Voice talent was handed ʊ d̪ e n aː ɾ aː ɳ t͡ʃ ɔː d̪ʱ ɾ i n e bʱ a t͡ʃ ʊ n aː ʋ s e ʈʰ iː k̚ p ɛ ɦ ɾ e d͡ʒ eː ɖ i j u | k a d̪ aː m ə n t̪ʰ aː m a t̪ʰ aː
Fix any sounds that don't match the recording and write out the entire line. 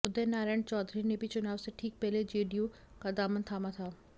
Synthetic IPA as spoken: ʊ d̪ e n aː ɾ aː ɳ t͡ʃ ɔː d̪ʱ ɾ i n e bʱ i t͡ʃ ʊ n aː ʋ s e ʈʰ iː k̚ p ɛ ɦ l e d͡ʒ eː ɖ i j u | k a d̪ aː m ə n t̪ʰ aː m a t̪ʰ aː

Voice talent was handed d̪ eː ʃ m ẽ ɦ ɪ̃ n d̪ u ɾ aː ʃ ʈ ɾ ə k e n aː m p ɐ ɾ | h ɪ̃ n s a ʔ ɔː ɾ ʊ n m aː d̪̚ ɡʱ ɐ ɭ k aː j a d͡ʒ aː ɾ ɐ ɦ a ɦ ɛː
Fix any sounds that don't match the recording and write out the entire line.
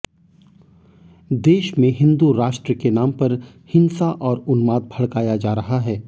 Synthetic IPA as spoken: d̪ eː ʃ m ẽ ɦ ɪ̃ n d̪ u ɾ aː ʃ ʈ ɾ ə k e n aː m p ɐ ɾ | h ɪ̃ n s a ʔ ɔː ɾ ʊ n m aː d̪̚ bʱ ɐ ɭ k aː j a d͡ʒ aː ɾ ɐ ɦ a ɦ ɛː

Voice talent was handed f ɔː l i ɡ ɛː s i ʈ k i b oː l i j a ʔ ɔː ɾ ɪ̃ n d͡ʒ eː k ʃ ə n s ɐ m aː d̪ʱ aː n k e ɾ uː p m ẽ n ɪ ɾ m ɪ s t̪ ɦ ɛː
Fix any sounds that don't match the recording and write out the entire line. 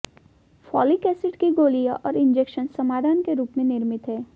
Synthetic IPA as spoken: f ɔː l i k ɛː s ɪ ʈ k i ɡ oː l i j a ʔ ɔː ɾ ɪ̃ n d͡ʒ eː k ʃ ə n s ɐ m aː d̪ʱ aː n k e ɾ uː p m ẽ n ɪ ɾ m ɪ t̪ ɦ ɛː

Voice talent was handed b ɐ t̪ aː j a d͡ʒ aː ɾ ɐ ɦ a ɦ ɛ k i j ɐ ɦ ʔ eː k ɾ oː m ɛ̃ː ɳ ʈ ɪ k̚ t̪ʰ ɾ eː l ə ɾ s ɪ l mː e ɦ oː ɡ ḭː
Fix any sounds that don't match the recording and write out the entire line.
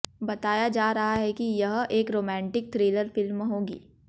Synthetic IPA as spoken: b ɐ t̪ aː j a d͡ʒ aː ɾ ɐ ɦ a ɦ ɛ k i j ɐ ɦ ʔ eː k ɾ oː m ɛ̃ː ɳ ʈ ɪ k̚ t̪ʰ ɾ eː l ə ɾ f ɪ l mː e ɦ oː ɡ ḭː

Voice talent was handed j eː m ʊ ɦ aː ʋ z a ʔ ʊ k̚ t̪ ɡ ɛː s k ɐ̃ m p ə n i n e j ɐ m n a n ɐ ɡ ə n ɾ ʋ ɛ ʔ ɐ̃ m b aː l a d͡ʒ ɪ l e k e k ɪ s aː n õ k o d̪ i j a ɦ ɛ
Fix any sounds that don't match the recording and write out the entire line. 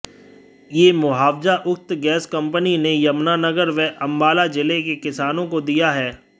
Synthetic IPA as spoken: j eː m ʊ ɦ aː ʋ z a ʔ ʊ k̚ t̪ ɡ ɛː s k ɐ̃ m p ə n i n e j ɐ m n a n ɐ ɡ ə ɾ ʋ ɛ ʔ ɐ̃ m b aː l a d͡ʒ ɪ l e k e k ɪ s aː n õ k o d̪ i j a ɦ ɛː

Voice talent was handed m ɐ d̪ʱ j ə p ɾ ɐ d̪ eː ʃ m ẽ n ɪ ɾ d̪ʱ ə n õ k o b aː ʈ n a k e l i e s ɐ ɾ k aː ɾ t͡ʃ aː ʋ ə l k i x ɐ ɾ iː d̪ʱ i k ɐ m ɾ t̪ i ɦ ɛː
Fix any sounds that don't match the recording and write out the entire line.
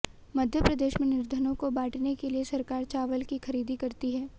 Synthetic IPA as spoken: m ɐ d̪ʱ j ə p ɾ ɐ d̪ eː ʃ m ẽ n ɪ ɾ d̪ʱ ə n õ k o b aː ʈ n e k e l i e s ɐ ɾ k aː ɾ t͡ʃ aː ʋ ə l k i x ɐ ɾ iː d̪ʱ i k ɐ ɾ t̪ i ɦ ɛː

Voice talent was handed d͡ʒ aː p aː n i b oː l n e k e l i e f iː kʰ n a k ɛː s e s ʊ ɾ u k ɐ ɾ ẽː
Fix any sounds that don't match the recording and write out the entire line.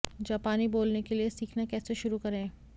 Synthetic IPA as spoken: d͡ʒ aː p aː n i b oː l n e k e l i e s iː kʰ n a k ɛː s e ʃ ʊ ɾ u k ɐ ɾ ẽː

